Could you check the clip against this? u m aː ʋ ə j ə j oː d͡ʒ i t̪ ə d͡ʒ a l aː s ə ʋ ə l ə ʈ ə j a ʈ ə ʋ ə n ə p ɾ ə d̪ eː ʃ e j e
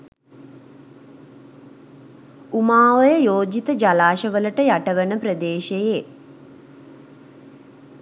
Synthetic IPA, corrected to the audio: u m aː ʋ ə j ə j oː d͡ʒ i t̪ ə d͡ʒ a l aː ʃ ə ʋ ə l ə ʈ ə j a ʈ ə ʋ ə n ə p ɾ ə d̪ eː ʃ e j e